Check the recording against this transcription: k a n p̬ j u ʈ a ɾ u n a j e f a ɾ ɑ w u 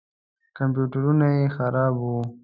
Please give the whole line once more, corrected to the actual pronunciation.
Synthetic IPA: k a m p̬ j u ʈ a ɾ u n a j e x a ɾ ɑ b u